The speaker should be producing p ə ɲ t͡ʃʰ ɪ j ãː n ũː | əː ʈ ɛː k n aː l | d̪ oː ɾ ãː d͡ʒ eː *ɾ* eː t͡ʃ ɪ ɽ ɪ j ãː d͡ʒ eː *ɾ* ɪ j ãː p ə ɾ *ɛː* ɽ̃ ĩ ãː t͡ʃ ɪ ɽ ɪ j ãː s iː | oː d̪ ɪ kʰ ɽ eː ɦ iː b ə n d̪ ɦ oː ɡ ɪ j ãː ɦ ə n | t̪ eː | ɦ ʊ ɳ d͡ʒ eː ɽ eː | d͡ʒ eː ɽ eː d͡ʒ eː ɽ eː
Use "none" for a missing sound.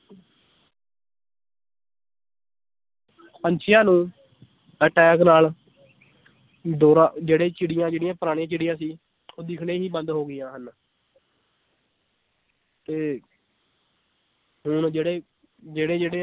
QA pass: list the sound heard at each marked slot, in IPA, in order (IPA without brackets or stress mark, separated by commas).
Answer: ɽ, ɽ, aː